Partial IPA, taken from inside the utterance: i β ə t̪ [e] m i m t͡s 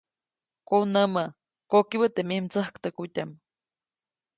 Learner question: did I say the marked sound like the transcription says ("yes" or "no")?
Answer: yes